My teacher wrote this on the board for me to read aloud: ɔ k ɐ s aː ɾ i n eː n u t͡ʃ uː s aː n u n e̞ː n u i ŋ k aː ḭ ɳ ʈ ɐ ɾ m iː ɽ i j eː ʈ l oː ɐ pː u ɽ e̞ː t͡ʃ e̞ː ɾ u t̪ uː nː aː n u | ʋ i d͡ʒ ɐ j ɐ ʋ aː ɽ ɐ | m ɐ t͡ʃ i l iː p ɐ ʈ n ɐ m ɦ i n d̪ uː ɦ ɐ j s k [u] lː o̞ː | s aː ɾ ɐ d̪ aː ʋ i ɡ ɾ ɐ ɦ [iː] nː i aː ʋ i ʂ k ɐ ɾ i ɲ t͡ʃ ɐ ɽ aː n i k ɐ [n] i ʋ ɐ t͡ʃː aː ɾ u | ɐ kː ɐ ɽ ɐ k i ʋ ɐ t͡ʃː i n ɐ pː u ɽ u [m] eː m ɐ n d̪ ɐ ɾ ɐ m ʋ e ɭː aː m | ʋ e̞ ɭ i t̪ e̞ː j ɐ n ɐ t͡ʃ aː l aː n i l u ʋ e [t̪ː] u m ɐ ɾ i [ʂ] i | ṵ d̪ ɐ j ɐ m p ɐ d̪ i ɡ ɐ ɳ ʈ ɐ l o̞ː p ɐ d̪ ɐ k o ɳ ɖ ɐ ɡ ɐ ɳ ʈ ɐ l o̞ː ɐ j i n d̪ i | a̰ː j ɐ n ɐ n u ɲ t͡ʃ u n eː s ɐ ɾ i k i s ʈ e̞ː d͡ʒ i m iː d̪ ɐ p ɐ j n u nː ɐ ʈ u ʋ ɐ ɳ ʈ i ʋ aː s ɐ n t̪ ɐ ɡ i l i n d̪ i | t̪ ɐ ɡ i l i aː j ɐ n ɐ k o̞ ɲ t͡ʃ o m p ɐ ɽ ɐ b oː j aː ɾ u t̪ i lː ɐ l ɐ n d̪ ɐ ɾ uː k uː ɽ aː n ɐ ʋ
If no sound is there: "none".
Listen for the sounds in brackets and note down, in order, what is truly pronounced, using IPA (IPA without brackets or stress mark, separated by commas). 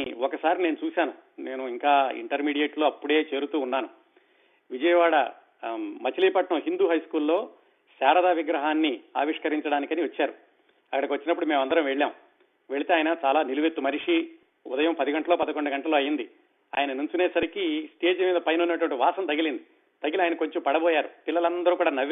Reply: uː, aː, n, m, t̪ː, ʂ